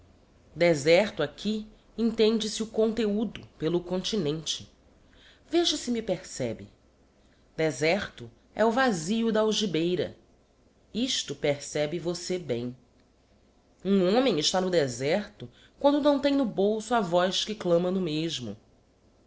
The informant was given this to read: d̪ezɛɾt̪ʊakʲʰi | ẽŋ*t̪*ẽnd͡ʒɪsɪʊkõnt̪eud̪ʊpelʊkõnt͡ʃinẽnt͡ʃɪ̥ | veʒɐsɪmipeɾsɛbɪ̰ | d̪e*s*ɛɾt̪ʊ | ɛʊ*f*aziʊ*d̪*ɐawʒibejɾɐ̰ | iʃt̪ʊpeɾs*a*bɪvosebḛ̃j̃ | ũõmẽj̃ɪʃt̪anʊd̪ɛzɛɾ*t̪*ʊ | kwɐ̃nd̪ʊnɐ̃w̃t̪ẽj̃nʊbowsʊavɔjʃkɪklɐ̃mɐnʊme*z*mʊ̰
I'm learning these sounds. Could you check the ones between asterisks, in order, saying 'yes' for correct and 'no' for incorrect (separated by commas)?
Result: yes, no, no, yes, no, yes, no